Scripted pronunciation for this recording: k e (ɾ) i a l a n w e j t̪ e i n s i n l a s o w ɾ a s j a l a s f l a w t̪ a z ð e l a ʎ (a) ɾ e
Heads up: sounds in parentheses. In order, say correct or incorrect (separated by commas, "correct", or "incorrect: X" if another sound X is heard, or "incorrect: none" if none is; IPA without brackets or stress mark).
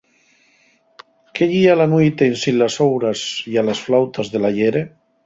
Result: incorrect: ʎ, incorrect: e